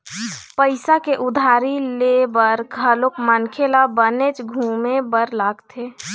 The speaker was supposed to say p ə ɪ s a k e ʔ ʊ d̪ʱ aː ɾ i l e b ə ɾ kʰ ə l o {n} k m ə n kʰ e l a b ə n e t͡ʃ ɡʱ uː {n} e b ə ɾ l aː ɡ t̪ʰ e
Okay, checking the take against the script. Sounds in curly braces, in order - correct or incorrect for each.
incorrect: none, incorrect: m

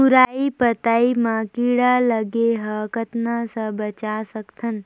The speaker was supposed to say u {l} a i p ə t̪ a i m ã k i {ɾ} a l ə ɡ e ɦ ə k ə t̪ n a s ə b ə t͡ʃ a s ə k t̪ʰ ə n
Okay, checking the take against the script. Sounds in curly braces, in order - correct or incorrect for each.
incorrect: ɾ, incorrect: ɽ

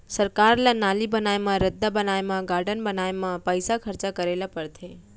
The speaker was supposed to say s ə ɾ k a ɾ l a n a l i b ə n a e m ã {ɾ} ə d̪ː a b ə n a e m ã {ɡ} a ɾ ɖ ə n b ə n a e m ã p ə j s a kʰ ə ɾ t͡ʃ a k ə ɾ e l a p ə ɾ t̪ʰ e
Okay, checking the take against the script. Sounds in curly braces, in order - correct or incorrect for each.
correct, correct

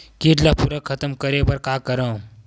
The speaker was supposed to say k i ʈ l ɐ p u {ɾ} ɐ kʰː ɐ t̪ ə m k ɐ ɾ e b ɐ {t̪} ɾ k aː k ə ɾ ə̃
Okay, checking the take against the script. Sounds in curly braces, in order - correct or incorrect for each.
correct, incorrect: none

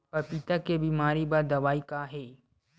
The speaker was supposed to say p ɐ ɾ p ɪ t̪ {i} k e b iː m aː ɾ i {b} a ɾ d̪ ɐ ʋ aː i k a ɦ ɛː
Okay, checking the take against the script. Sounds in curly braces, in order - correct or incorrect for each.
incorrect: a, correct

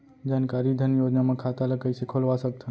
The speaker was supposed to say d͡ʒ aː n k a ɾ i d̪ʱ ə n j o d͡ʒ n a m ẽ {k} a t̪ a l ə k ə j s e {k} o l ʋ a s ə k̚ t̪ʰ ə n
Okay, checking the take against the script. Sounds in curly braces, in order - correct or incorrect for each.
incorrect: kʰ, incorrect: kʰ

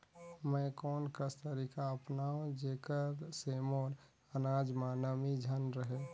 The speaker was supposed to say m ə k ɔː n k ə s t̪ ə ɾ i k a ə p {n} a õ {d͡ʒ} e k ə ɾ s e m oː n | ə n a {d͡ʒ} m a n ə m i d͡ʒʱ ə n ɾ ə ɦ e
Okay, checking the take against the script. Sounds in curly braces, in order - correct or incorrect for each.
correct, correct, correct

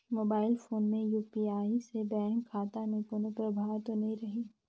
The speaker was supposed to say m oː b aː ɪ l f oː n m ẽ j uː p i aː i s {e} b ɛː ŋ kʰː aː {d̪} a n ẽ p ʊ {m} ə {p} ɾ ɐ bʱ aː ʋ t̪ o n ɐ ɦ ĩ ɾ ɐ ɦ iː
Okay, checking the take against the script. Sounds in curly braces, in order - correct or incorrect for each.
correct, incorrect: t̪, incorrect: n, correct

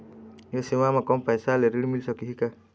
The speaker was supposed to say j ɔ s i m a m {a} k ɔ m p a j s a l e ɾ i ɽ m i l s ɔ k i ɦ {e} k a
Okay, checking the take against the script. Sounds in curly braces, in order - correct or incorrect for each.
correct, incorrect: i

